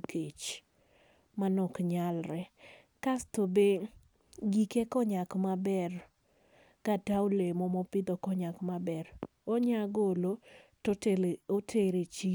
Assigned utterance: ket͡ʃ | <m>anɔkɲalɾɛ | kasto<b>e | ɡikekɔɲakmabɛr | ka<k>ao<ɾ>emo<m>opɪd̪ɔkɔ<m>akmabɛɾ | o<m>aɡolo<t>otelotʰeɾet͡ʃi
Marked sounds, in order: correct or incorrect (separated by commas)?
correct, correct, incorrect, incorrect, correct, incorrect, incorrect, correct